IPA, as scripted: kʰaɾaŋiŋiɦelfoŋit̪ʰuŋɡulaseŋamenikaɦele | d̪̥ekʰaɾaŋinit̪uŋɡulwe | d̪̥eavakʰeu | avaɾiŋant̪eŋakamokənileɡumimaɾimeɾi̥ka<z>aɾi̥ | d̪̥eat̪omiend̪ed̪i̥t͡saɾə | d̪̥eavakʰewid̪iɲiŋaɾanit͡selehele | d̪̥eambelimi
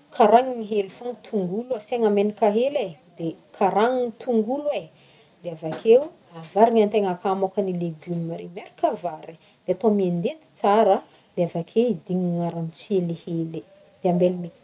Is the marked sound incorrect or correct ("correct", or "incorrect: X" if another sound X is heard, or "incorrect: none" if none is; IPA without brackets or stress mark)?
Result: incorrect: v